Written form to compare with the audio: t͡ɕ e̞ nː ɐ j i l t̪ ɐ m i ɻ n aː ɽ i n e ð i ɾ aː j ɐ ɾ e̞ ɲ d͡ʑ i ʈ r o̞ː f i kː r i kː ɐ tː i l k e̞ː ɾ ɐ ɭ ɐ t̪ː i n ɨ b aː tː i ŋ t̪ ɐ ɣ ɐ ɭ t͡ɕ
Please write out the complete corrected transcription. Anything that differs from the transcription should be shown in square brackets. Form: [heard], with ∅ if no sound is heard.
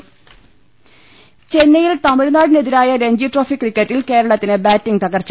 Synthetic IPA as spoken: t͡ɕ e̞ nː ɐ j i l t̪ ɐ m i ɻ n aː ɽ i n e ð i ɾ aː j ɐ ɾ e̞ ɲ d͡ʑ i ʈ r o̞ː f i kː r i kː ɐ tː i l k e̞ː ɾ ɐ ɭ ɐ t̪ː i n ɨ b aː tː i ŋ t̪ ɐ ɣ ɐ [r] t͡ɕ